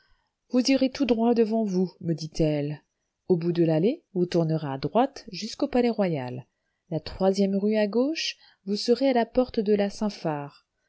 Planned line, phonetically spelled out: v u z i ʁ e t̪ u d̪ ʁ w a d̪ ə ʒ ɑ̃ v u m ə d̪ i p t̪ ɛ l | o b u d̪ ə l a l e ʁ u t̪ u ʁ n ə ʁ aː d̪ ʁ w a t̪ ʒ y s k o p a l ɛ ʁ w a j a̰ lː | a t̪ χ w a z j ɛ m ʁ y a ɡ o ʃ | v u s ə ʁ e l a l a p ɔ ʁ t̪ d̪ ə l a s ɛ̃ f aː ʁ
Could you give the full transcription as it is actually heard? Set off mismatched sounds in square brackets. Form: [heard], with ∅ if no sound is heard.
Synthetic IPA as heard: v u z i ʁ e t̪ u d̪ ʁ w a d̪ ə [v] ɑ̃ v u m ə d̪ i [∅] t̪ ɛ l | o b u d̪ ə l a l e [v] u t̪ u ʁ n ə ʁ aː d̪ ʁ w a t̪ ʒ y s k o p a l ɛ ʁ w a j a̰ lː | a t̪ χ w a z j ɛ m ʁ y a ɡ o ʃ | v u s ə ʁ e [∅] a l a p ɔ ʁ t̪ d̪ ə l a s ɛ̃ f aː ʁ

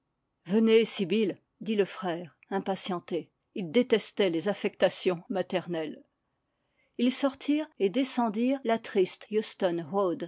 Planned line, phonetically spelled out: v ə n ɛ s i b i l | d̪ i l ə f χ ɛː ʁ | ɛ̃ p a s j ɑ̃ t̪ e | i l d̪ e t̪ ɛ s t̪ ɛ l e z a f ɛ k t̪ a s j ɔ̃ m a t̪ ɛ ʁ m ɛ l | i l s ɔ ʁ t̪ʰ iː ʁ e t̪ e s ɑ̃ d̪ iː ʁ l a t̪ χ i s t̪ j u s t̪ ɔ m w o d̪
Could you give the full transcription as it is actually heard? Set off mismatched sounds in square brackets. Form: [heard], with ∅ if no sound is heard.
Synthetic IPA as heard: v ə n [e] s i b i l | d̪ i l ə f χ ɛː ʁ | ɛ̃ p a s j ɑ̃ t̪ e | i l d̪ e t̪ ɛ s t̪ ɛ l e z a f ɛ k t̪ a s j ɔ̃ m a t̪ ɛ ʁ [n] ɛ l | i l s ɔ ʁ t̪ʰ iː ʁ e [d̪] e s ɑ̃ d̪ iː ʁ l a t̪ χ i s t̪ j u s t̪ ɔ [n] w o d̪

